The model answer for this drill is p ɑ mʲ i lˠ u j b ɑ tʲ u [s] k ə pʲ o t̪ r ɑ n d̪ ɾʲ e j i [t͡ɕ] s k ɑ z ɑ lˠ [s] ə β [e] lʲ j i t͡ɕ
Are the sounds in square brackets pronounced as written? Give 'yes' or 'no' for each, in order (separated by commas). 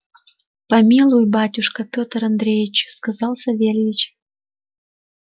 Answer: no, yes, yes, yes